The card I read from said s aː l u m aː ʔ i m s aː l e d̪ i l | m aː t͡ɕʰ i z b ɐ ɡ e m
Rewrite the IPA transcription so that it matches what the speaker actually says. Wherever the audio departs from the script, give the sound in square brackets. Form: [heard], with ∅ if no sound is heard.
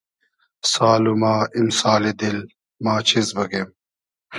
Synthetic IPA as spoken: s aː l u m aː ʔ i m s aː l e d̪ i l | m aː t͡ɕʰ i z b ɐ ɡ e m